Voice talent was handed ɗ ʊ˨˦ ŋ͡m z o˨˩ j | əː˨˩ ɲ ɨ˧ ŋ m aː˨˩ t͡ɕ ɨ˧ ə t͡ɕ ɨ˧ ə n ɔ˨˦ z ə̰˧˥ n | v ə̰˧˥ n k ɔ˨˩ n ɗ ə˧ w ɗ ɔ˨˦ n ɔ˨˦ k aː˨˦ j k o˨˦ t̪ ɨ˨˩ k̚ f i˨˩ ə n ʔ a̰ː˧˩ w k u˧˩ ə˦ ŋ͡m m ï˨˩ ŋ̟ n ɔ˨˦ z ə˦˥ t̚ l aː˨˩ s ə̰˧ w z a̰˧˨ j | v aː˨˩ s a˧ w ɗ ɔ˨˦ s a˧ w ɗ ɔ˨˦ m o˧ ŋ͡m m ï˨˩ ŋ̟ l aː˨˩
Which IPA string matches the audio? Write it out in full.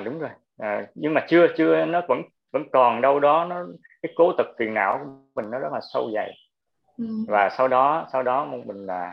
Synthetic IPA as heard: ɗ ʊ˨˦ ŋ͡m z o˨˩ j | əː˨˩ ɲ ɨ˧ ŋ m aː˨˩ t͡ɕ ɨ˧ ə t͡ɕ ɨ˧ ə n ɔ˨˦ v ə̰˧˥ n | v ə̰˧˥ n k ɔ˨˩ n ɗ ə˧ w ɗ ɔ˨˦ n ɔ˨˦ k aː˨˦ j k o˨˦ t̪ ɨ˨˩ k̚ f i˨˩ ə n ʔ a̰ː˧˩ w k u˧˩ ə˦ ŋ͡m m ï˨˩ ŋ̟ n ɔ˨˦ z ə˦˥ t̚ l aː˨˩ s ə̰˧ w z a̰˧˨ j | v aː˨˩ s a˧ w ɗ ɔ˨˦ s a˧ w ɗ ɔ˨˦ m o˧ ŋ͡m m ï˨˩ ŋ̟ l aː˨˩